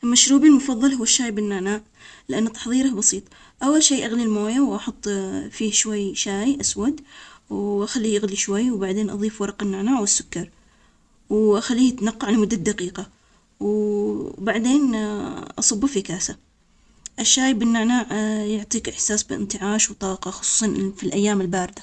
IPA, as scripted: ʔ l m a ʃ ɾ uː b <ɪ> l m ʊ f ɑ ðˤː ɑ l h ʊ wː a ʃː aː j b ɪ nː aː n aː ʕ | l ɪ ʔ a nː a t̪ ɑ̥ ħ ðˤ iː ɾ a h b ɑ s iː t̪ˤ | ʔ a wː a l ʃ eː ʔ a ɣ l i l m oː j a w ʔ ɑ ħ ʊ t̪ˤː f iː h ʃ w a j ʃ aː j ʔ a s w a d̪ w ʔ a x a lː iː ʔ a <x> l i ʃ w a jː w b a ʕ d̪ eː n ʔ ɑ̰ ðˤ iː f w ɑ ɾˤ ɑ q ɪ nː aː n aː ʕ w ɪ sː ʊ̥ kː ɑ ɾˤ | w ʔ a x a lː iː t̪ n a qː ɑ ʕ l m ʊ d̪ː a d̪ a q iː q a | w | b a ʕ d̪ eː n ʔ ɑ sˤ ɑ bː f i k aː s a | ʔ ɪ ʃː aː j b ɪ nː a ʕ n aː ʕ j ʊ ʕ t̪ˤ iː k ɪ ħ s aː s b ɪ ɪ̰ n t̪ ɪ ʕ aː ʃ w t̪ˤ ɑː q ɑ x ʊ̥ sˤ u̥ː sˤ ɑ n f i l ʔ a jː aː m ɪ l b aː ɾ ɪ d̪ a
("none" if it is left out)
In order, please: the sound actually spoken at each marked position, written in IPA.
i, ɣ

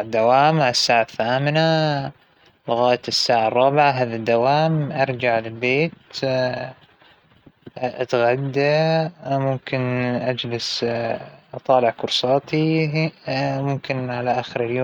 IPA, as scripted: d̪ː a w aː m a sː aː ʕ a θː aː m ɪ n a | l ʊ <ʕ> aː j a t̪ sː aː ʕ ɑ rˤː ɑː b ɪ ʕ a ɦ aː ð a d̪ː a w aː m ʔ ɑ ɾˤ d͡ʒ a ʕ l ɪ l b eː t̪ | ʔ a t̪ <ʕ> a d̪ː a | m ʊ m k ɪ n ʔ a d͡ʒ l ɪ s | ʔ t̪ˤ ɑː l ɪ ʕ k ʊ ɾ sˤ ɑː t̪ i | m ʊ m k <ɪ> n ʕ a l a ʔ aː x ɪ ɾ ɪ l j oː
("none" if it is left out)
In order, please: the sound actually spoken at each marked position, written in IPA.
ɣ, ɣ, ɪ

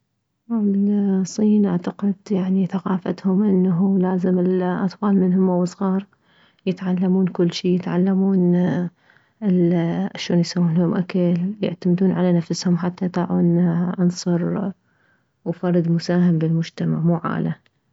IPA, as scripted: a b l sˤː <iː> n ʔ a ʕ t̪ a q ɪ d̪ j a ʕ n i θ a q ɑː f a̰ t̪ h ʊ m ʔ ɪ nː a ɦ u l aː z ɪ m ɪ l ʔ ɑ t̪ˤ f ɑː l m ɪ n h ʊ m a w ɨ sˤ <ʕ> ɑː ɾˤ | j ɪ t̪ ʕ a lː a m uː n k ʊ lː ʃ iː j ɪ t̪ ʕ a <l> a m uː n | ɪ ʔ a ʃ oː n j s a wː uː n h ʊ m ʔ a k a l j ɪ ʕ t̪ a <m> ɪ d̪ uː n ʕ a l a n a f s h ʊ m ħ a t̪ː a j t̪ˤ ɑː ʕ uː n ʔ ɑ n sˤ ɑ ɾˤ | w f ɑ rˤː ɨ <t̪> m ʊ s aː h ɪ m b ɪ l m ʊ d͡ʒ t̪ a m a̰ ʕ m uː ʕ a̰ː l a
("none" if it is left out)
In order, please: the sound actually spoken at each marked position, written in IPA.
iː, ɣ, lː, m, d̪

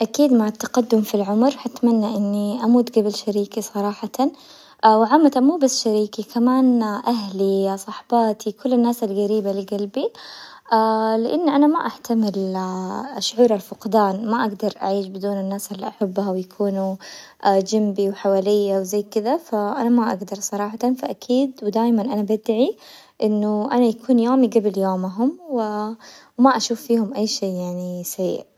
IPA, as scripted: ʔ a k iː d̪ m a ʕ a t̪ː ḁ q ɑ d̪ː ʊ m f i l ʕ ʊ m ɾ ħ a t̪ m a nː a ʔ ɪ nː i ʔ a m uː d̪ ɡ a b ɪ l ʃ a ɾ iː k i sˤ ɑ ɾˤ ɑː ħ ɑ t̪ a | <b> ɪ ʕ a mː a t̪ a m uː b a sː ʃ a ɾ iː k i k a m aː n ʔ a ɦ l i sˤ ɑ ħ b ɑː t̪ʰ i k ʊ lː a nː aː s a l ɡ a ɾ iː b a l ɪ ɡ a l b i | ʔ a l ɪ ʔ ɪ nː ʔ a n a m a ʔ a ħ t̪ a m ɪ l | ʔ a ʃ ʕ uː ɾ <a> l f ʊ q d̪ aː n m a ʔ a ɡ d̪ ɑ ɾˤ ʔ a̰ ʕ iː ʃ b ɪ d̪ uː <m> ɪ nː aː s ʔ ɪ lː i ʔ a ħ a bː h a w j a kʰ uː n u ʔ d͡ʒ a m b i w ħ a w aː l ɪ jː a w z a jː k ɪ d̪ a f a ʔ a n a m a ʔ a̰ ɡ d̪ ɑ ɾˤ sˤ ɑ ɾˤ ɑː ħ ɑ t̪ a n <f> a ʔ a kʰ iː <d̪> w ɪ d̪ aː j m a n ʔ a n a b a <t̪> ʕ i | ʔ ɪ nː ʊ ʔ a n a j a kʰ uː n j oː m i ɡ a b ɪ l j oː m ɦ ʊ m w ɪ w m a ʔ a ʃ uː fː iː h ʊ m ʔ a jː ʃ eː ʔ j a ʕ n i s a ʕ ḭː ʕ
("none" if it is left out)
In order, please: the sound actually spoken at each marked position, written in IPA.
w, a, n, f, d̪, d̪

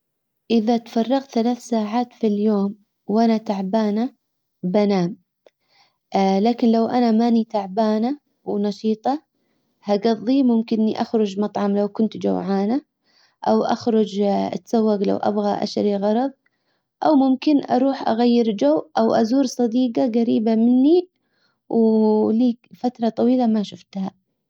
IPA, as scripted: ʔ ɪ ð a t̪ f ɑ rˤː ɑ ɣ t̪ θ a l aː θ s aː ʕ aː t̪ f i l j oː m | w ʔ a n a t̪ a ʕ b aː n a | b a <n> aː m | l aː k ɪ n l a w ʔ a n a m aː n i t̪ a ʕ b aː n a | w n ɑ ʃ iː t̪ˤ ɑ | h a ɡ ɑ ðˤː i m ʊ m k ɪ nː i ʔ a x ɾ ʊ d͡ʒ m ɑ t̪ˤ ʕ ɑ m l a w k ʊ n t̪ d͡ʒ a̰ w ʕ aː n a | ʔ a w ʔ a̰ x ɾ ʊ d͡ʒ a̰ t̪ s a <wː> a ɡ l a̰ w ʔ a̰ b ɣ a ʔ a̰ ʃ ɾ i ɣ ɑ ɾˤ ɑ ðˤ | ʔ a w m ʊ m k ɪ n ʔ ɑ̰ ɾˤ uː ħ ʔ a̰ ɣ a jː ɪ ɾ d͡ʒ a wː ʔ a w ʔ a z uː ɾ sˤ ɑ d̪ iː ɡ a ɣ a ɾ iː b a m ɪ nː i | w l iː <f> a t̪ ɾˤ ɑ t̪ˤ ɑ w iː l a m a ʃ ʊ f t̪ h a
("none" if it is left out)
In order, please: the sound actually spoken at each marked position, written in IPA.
n, wː, f

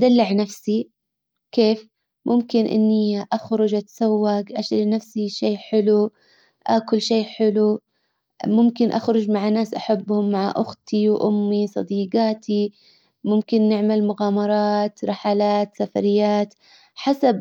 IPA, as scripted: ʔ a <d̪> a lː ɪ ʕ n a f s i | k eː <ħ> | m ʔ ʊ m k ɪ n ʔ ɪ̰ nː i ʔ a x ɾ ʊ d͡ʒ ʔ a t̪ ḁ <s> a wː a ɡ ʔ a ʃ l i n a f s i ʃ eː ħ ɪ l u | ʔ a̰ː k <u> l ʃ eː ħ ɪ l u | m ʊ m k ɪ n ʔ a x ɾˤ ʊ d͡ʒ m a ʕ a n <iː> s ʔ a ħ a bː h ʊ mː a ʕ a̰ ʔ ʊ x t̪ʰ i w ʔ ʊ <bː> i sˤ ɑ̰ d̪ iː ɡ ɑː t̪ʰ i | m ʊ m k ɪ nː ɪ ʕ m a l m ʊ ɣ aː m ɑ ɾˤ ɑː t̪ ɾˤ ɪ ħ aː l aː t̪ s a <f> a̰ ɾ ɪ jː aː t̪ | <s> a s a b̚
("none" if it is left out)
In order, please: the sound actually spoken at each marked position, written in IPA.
d̪, f, s, ʊ, aː, mː, f, ħ

